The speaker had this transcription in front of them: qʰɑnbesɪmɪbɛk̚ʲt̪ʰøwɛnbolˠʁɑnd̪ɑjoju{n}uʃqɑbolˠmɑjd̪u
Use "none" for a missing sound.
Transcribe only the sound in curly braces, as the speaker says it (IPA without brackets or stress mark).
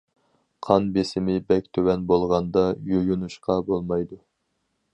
n